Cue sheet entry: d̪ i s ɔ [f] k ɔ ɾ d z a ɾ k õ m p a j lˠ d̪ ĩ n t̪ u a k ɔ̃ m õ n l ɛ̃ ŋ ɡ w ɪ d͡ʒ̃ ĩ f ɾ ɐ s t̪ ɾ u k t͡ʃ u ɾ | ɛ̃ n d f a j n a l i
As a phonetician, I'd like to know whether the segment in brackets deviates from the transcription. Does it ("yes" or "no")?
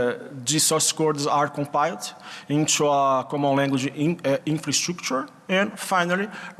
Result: yes